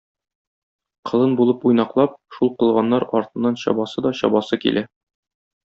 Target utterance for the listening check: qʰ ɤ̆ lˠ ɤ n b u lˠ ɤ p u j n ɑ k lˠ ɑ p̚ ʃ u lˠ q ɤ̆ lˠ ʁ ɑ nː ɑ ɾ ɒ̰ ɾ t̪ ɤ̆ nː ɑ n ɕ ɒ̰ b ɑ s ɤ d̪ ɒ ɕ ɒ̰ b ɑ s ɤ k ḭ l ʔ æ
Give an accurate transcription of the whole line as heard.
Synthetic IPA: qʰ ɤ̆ lˠ ɤ n b u lˠ ɤ p u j n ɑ q lˠ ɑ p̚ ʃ u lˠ q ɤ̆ lˠ ʁ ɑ nː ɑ ɾ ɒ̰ ɾ t̪ ɤ̆ nː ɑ n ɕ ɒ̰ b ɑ s ɤ d̪ ɒ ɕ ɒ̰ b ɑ s ɤ k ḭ l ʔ æ